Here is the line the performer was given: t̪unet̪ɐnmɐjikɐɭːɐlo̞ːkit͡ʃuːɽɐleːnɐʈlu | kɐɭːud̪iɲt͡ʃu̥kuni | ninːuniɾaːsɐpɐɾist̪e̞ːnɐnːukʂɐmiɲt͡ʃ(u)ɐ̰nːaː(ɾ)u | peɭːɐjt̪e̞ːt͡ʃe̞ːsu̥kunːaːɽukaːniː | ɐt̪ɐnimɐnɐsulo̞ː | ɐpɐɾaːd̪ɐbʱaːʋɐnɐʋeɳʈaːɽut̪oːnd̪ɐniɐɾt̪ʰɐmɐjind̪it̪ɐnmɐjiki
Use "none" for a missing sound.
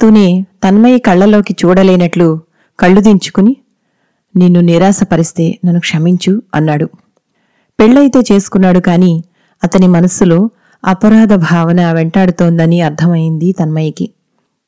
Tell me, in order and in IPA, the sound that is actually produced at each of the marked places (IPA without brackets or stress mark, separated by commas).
u, ɽ